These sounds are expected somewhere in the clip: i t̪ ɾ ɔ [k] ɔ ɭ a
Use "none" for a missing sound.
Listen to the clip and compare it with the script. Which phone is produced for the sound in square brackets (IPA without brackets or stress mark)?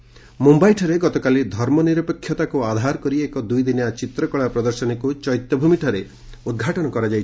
k